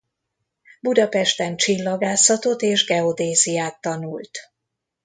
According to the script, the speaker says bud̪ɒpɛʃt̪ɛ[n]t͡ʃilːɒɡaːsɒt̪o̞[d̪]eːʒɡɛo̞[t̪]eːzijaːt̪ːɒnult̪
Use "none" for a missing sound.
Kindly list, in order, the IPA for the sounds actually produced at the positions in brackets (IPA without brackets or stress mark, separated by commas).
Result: n, t̪, d̪